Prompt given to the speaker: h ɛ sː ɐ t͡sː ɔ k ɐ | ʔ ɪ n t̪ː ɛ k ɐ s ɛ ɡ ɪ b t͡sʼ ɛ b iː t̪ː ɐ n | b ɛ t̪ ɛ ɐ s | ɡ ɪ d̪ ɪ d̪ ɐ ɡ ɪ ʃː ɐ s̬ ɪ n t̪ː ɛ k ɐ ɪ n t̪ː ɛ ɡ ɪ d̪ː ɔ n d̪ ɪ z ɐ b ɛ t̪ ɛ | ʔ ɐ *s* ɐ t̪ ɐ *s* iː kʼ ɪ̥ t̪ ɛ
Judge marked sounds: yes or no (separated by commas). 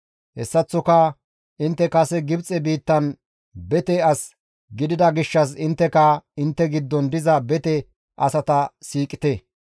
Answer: yes, yes